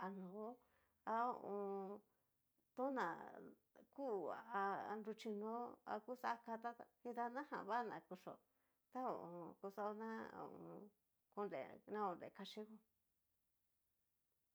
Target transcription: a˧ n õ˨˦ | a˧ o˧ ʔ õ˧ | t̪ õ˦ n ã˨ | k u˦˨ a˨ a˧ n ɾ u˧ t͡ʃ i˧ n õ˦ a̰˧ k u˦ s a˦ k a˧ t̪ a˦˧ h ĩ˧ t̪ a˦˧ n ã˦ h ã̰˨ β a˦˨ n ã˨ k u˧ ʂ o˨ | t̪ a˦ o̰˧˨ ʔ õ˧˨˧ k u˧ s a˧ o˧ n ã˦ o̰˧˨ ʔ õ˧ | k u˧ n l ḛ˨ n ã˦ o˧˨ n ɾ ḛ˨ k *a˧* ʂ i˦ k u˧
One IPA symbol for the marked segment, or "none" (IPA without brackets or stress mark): a˧